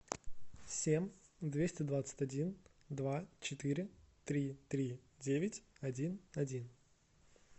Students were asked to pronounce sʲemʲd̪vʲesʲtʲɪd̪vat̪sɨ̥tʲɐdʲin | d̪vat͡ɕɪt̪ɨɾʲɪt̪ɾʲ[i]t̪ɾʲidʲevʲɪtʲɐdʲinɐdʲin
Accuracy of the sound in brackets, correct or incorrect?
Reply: correct